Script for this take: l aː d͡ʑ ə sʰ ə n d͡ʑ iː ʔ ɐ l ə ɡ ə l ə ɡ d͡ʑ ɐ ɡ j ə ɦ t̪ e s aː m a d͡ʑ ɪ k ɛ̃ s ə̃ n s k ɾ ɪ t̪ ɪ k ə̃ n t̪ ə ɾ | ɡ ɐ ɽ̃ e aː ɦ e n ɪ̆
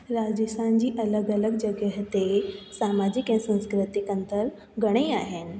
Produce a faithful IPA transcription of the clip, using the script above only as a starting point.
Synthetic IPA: ɾ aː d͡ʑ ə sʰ a n d͡ʑ iː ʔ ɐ l ə ɡ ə l ə ɡ d͡ʑ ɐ ɡ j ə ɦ t̪ e s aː m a d͡ʑ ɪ k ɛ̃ s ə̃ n s k ɾ ɪ t̪ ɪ k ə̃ n t̪ ə ɾ | ɡ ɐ ɽ̃ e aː ɦ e n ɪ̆

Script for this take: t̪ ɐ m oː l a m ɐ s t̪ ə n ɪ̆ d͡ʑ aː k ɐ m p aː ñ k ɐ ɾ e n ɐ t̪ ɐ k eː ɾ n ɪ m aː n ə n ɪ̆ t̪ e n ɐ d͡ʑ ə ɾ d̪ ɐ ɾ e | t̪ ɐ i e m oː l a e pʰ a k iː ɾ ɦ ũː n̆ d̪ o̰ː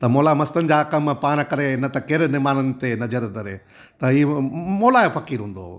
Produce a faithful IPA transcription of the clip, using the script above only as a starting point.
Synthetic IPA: t̪ ɐ m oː l a m ɐ s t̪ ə n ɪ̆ d͡ʑ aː k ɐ m p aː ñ k ɐ ɾ e n ɐ t̪ ɐ k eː ɾ n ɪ m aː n ə n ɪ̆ t̪ e n ɐ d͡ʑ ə ɾ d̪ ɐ ɾ e | t̪ ɐ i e m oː l a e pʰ ɐ k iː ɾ ɦ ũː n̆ d̪ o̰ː

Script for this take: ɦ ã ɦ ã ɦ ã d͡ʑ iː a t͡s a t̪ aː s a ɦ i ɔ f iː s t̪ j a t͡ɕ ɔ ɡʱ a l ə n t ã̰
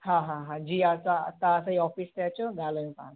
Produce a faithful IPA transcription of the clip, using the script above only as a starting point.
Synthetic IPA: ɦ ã ɦ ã ɦ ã d͡ʑ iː a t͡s a t̪ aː s a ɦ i ɔ f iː s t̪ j a t͡ɕ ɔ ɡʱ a l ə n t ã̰

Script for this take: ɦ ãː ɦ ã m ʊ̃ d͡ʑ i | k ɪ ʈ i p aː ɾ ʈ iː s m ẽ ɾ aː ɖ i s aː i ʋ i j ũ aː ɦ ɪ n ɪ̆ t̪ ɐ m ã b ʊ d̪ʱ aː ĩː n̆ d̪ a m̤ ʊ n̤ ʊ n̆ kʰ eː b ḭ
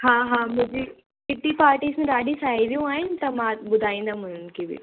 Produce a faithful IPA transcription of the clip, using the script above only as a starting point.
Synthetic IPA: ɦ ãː ɦ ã m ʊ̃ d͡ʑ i | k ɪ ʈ i p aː ɾ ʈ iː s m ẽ ɾ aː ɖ i s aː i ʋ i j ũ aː ɦ ɪ n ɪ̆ t̪ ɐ m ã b ʊ d̪ʱ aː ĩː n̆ d̪ a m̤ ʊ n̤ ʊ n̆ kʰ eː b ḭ

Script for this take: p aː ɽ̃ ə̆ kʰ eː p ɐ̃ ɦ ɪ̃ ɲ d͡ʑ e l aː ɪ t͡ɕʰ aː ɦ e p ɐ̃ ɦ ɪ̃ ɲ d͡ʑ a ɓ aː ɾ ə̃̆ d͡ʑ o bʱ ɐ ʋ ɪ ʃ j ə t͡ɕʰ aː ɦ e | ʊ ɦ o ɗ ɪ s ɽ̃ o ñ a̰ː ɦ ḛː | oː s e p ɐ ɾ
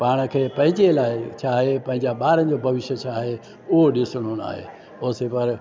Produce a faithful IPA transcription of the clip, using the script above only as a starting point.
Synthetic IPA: p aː ɽ̃ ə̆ kʰ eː p ɐ̃ ɦ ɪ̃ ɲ d͡ʑ e l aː ɪ t͡ɕʰ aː ɦ e p ɐ̃ ɦ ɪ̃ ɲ d͡ʑ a ɓ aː ɾ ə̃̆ d͡ʑ o bʱ ɐ ʋ ɪ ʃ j ə t͡ɕʰ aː ɦ e | ʊ ɦ o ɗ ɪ s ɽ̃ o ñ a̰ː ɦ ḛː | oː s e p ɐ ɾ

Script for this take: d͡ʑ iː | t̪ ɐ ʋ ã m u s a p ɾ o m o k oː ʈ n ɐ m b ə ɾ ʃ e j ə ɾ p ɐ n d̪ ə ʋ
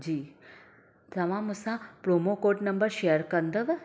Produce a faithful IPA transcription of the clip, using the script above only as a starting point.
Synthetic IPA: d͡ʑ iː | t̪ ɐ ʋ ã m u s a p ɾ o m o k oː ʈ n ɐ m b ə ɾ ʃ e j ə ɾ k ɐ n d̪ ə ʋ

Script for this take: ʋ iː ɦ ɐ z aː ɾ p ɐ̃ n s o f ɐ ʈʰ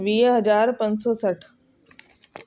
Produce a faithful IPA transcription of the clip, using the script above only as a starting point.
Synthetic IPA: ʋ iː ɦ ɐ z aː ɾ p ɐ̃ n s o s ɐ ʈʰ

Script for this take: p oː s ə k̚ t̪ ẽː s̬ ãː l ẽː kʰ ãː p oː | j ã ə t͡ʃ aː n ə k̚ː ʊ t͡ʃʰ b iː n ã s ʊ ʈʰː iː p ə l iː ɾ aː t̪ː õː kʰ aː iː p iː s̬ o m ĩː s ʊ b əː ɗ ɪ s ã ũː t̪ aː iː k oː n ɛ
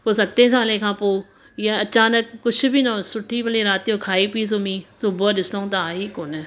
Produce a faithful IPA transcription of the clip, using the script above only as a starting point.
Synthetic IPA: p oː s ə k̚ t̪ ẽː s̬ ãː l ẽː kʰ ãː p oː | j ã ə t͡ʃ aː n ə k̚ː ʊ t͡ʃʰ b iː n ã s ʊ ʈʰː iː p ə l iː ɾ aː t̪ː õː kʰ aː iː p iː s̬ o m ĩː s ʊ b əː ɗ ɪ s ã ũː t̪ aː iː k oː n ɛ

